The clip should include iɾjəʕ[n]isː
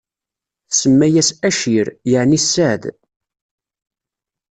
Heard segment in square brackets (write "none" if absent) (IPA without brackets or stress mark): n